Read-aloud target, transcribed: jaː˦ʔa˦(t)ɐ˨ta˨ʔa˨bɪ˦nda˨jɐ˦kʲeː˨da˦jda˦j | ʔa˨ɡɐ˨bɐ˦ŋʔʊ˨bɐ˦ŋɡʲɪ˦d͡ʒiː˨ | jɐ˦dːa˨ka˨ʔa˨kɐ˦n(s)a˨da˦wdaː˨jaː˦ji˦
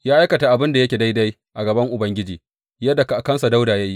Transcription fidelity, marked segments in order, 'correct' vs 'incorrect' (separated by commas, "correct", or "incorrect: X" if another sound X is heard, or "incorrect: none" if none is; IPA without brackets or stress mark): incorrect: k, correct